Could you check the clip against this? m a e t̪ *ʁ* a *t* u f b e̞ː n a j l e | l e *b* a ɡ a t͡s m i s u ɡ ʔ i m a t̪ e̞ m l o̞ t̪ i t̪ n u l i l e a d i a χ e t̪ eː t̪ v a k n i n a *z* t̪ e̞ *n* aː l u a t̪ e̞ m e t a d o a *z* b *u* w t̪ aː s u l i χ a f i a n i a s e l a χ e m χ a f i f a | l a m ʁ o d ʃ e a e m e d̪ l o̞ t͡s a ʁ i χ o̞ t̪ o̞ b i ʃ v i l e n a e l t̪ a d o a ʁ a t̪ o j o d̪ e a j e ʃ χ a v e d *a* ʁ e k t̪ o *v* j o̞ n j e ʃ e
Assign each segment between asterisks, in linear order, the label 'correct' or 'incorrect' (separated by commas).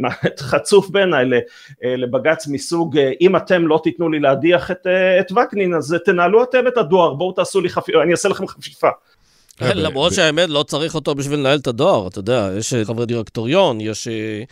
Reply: incorrect, incorrect, correct, correct, correct, incorrect, incorrect, incorrect, incorrect